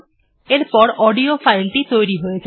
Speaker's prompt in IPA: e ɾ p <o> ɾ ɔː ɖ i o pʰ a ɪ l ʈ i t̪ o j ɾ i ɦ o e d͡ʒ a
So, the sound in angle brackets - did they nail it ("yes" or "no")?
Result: no